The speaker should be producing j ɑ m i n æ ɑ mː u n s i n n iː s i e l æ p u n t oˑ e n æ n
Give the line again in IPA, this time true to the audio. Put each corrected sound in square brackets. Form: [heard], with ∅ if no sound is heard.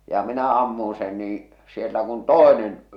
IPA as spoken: j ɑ m i n æ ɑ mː u n s [e] n n iː s i e [lː] æ [k] u n t oˑ e n [e] n